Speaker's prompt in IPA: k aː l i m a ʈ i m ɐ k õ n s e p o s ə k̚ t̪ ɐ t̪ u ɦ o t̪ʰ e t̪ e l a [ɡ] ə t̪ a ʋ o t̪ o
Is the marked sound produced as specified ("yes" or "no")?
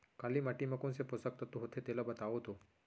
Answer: no